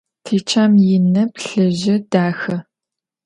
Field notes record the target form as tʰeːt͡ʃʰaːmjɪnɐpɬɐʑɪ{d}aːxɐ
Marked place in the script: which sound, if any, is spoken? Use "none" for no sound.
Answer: d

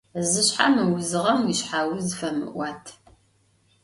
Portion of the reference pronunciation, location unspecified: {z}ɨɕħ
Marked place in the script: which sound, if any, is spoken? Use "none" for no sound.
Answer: z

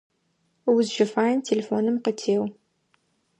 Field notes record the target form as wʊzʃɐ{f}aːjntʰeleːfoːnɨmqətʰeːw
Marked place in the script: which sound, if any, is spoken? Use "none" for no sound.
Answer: f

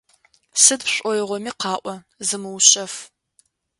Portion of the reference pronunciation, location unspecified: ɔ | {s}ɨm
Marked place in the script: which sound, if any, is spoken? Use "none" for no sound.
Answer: z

